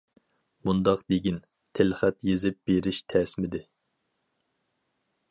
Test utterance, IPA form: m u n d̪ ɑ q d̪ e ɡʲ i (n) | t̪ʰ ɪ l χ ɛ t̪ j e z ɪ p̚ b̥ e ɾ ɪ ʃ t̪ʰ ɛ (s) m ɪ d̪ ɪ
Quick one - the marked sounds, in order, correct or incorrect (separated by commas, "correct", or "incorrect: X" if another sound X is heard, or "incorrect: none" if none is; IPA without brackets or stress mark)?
correct, correct